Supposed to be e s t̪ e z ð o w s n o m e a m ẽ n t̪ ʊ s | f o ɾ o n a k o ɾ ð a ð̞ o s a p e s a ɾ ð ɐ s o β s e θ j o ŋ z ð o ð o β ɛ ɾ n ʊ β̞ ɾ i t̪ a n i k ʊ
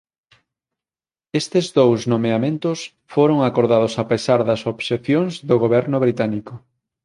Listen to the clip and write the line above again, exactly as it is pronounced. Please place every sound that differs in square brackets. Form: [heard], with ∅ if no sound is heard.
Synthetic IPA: e s t̪ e z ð o w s n o m e a m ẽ n t̪ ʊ s | f o ɾ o [ŋ] a k o ɾ ð a ð̞ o s a p e s a ɾ ð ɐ s o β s e θ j o ŋ z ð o [ɣ] o β ɛ ɾ n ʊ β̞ ɾ i t̪ a n i k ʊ